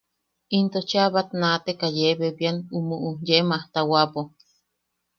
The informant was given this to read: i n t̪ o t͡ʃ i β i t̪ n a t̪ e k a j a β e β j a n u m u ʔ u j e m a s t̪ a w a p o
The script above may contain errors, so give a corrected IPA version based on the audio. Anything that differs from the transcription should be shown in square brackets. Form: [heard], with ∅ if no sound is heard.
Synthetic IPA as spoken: i n t̪ o t͡ʃ [a] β [a] t̪ n a t̪ e k a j [e] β e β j a n u m u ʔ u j e m a [h] t̪ a w a p o